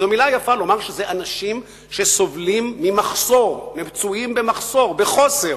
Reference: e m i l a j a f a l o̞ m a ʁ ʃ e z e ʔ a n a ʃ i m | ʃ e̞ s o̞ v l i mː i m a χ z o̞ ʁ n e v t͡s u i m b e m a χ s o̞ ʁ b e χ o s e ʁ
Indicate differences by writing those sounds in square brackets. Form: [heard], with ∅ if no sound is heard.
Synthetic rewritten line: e m i l a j a f a l o̞ m a ʁ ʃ e z e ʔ a n a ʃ i m | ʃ e̞ s o̞ v l i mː i m a χ [s] o̞ ʁ n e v t͡s u i m b e m a χ s o̞ ʁ b e χ o s e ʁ